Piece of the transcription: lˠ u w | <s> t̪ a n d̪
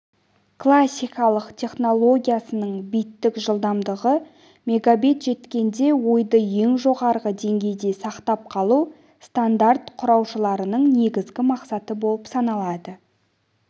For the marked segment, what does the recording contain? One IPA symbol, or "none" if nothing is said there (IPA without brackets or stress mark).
s